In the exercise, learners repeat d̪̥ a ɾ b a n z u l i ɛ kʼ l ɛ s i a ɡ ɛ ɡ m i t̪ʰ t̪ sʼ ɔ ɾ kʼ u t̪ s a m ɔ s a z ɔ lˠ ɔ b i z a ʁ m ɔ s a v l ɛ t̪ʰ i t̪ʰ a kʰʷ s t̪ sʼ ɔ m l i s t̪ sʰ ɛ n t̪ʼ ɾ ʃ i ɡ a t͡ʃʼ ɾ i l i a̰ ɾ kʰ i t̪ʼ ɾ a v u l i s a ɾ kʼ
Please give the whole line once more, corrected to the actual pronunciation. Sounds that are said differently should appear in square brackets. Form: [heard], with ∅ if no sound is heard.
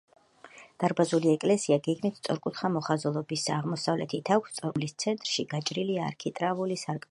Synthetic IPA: d̪̥ a ɾ b a [∅] z u l i ɛ kʼ l ɛ s i a ɡ ɛ ɡ m i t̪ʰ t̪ sʼ ɔ ɾ kʼ u t̪ [χ] a m ɔ [χ] a z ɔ lˠ ɔ b i [s] a ʁ m ɔ s a v l ɛ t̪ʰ i t̪ʰ a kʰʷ s t̪ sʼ ɔ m l i s t̪ sʰ ɛ n t̪ʼ ɾ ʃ i ɡ a t͡ʃʼ ɾ i l i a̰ ɾ kʰ i t̪ʼ ɾ a v u l i s a ɾ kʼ